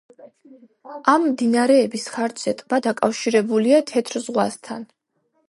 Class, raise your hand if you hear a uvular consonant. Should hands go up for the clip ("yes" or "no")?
yes